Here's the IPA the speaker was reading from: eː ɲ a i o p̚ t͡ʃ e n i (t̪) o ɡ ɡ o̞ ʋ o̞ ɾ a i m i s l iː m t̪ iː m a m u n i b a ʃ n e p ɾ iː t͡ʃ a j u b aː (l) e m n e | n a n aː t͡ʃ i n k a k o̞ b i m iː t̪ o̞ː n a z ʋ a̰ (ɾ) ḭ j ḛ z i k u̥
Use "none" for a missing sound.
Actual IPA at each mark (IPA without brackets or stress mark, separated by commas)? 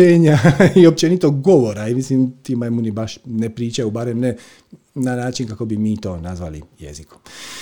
t̪, ɾ, l